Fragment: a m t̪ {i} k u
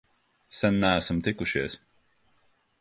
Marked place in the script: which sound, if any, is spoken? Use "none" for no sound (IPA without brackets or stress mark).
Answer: i